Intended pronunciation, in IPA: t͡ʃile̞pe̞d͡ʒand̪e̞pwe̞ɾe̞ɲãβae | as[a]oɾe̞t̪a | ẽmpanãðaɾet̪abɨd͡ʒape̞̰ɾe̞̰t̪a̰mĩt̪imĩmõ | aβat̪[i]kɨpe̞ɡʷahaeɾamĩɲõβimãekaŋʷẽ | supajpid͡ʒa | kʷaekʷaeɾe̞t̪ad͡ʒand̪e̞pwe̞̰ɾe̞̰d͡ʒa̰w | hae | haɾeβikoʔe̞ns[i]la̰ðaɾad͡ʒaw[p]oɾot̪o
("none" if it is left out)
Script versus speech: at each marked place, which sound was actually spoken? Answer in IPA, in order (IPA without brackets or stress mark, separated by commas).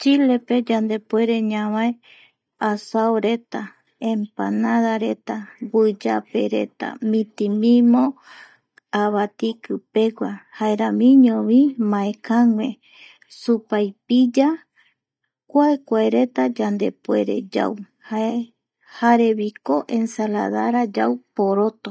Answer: a, i, a, p